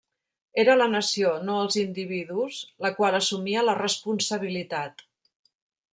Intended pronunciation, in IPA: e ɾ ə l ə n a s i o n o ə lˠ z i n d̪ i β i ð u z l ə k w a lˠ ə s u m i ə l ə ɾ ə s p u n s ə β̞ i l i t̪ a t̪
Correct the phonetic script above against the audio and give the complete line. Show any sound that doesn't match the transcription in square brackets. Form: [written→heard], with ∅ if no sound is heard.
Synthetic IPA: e ɾ ə l ə n [a→ə] s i o n o ə lˠ z i n d̪ i β i ð u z l ə k w a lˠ ə s u m i ə l ə [ɾ→r] ə s p u n s ə β̞ i l i t̪ a t̪